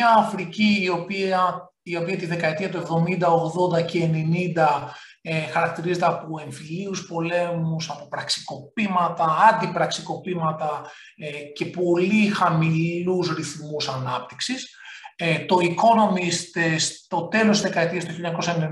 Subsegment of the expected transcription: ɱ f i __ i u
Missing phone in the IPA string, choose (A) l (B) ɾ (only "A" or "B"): A